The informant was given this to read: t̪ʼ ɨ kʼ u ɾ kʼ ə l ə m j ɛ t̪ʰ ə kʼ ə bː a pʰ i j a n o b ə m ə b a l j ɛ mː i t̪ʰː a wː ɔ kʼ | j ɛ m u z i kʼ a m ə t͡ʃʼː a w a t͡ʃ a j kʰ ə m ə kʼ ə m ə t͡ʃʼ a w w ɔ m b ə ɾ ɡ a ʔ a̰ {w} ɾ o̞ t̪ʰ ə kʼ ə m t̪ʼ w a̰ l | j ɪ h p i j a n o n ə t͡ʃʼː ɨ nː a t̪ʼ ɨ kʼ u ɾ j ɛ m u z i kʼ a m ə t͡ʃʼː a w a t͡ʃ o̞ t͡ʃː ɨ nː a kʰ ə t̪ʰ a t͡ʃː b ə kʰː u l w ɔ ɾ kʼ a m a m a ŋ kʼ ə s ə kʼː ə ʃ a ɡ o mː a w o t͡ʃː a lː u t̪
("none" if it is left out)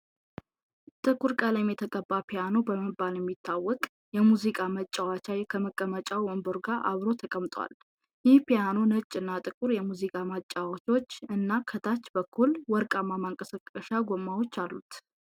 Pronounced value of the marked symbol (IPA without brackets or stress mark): β